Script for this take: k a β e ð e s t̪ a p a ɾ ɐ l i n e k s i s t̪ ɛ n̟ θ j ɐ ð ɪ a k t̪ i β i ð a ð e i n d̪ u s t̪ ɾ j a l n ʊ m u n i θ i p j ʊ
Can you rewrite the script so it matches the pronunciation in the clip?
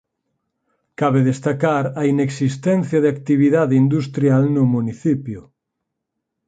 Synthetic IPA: k a β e ð e s t̪ a k a ɾ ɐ i n e k s i s t̪ ɛ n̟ θ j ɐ ð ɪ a k t̪ i β i ð a ð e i n d̪ u s t̪ ɾ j a l n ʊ m u n i θ i p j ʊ